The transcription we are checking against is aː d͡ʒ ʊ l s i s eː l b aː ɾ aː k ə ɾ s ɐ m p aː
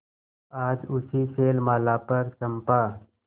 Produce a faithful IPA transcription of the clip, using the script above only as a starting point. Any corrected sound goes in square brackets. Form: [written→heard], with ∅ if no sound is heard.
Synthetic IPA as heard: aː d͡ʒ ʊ [l→∅] s i s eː l [b→m] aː [ɾ→l] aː [k→p] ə ɾ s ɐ m p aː

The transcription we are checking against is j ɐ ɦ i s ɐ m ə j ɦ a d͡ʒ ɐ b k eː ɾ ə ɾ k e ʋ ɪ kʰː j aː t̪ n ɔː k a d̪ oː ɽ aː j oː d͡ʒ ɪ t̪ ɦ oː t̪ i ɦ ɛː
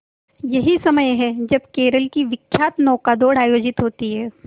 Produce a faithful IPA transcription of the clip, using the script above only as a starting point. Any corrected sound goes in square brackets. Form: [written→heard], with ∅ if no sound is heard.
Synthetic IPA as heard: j ɐ ɦ i s ɐ m ə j ɦ [a→ɛ] d͡ʒ ɐ b k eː ɾ ə [ɾ→l] k [e→i] ʋ ɪ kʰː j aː t̪ n ɔː k a d̪ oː ɽ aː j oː d͡ʒ ɪ t̪ ɦ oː t̪ i ɦ ɛː

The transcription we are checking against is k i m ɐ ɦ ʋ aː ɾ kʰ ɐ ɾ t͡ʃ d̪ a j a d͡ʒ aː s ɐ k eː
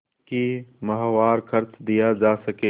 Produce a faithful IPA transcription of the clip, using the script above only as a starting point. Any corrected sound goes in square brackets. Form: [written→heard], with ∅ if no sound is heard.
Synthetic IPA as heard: k i m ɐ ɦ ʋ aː ɾ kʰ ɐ ɾ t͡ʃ d̪ [a→i] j a d͡ʒ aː s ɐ k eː

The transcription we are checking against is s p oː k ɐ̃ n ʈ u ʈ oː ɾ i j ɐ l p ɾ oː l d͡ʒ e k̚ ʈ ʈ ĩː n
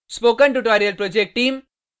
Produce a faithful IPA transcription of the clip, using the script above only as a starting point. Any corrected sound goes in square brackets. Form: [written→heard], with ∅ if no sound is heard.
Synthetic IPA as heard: s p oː k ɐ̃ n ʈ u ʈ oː ɾ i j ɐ l p ɾ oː [l→∅] d͡ʒ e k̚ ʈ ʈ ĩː [n→m]

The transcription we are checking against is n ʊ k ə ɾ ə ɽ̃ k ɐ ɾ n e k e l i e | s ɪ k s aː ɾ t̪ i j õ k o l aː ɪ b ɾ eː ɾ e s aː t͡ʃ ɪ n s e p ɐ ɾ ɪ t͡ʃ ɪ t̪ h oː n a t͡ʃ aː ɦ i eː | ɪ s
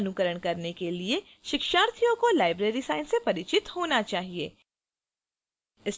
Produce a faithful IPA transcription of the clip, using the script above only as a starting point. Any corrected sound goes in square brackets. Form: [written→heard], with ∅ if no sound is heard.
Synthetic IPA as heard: n ʊ k ə ɾ ə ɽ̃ k ɐ ɾ n e k e l i e | [s→ʃ] ɪ k [s→ʃ] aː ɾ [t̪→t̪ʰ] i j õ k o l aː ɪ b ɾ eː ɾ [e→i] s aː [t͡ʃ→∅] ɪ n s e p ɐ ɾ ɪ t͡ʃ ɪ t̪ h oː n a t͡ʃ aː ɦ i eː | ɪ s

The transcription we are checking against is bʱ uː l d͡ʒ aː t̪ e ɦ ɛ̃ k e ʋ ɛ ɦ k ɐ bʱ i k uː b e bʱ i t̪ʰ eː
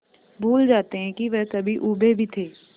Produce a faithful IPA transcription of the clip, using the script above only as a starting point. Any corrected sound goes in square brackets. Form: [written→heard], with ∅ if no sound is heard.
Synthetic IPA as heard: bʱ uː l d͡ʒ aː t̪ e ɦ ɛ̃ k [e→i] ʋ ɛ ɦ k ɐ bʱ i [k→ʔ] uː b e bʱ i t̪ʰ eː

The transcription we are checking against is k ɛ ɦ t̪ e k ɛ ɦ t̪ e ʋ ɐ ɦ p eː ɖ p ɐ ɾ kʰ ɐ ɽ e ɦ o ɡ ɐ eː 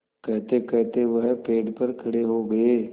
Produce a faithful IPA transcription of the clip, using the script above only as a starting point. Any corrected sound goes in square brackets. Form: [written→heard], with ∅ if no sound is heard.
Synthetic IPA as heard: k ɛ ɦ t̪ e k ɛ ɦ t̪ e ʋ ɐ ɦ p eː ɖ p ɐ ɾ kʰ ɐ ɽ e ɦ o ɡ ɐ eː

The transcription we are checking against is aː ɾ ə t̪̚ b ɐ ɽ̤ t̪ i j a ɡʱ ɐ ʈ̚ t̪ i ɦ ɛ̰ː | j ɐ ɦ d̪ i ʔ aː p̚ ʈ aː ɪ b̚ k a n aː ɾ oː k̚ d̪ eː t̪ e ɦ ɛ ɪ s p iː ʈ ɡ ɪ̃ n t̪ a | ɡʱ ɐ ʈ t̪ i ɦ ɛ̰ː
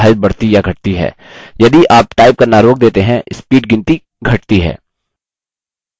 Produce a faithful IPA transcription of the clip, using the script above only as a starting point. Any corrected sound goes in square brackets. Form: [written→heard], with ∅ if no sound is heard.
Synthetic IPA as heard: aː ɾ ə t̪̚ b ɐ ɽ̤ t̪ i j a ɡʱ ɐ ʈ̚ t̪ i ɦ ɛ̰ː | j ɐ [ɦ→∅] d̪ i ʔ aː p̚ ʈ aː ɪ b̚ k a n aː ɾ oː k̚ d̪ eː t̪ e ɦ [ɛ→ɛ̃] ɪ s p iː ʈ ɡ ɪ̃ n t̪ [a→i] | ɡʱ ɐ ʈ t̪ i ɦ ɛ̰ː

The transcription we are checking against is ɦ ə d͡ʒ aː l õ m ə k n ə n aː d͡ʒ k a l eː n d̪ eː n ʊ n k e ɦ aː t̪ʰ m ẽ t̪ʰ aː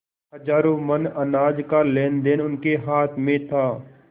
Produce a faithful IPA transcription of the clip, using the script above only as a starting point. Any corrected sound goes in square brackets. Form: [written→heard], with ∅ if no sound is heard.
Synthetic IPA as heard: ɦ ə d͡ʒ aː [l→ɾ] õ m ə [k→∅] n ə n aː d͡ʒ k a l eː n d̪ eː n ʊ n k e ɦ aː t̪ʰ m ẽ t̪ʰ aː

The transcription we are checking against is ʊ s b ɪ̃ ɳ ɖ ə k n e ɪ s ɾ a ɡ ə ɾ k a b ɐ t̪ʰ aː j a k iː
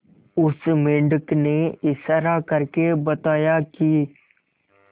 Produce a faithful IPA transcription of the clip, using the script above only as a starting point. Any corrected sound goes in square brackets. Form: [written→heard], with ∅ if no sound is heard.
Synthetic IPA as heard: ʊ s [b→m] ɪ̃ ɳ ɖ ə k n e ɪ s ɾ a [ɡ→k] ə ɾ k [a→e] b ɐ [t̪ʰ→t̪] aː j a k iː

